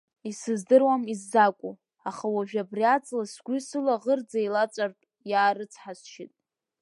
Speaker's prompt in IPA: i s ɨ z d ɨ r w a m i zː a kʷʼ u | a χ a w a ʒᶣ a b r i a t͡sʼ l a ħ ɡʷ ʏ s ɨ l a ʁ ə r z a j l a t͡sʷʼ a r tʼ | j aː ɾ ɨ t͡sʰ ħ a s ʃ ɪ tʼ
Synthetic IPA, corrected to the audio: i s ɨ z d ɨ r w a m i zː a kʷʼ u | a χ a w a ʒᶣ a b r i a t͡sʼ l a s ɡʷ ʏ s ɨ l a ʁ ə r d͡z a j l a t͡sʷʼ a r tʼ | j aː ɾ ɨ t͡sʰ ħ a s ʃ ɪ tʼ